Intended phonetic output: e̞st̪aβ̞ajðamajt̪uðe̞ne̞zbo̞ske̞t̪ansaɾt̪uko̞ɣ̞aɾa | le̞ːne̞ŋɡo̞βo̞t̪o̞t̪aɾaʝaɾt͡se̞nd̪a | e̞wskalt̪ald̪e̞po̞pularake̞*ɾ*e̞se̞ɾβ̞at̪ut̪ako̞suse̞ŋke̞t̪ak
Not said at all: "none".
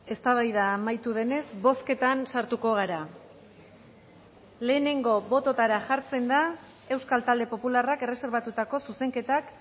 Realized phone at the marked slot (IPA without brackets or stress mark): r